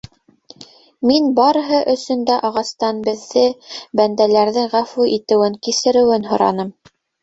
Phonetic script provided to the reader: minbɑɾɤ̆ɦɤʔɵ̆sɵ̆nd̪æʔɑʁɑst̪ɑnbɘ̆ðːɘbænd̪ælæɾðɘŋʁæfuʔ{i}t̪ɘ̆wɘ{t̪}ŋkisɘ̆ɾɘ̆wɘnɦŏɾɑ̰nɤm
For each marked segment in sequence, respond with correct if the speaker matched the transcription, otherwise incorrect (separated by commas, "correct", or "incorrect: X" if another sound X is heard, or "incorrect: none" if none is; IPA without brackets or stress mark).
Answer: correct, incorrect: none